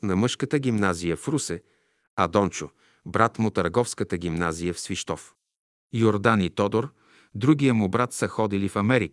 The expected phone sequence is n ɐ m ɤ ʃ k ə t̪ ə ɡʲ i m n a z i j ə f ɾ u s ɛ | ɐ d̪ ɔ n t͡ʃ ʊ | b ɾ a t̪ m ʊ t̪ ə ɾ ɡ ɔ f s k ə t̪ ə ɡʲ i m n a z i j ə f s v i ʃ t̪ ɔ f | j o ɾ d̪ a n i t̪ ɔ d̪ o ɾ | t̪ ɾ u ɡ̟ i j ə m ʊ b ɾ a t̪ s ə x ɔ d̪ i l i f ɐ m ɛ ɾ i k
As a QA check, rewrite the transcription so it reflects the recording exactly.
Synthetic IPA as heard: n ɐ m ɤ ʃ k ə t̪ ə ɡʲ i m n a z i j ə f ɾ u s ɛ | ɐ d̪ ɔ n t͡ʃ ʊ | b ɾ a t̪ m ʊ t̪ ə ɾ ɡ ɔ f s k ə t̪ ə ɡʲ i m n a z i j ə f s v i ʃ t̪ ɔ f | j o ɾ d̪ a n i t̪ ɔ d̪ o ɾ | d̪ ɾ u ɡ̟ i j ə m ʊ b ɾ a t̪ s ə x ɔ d̪ i l i f ɐ m ɛ ɾ i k